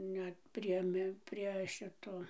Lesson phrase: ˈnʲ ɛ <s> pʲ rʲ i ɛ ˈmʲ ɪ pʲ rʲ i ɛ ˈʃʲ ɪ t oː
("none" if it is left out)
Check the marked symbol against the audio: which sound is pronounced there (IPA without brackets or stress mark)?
t